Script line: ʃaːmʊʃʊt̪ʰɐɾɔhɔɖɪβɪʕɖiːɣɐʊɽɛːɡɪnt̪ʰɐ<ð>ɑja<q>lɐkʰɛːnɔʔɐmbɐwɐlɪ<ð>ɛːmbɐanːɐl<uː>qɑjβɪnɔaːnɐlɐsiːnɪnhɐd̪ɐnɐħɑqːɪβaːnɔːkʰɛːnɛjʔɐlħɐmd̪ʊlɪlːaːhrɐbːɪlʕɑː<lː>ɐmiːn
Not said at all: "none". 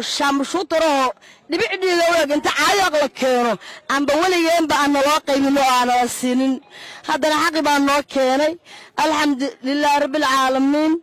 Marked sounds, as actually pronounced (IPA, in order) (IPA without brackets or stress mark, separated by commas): ʕ, q, ɣ, ɔː, l